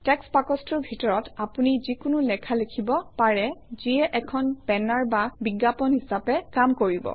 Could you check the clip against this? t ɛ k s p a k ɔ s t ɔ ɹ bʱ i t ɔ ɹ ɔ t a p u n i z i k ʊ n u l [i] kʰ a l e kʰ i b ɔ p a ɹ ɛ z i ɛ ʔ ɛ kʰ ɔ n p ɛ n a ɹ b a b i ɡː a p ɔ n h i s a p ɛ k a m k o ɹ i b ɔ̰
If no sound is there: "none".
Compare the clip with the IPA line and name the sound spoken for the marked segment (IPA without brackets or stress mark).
ɛ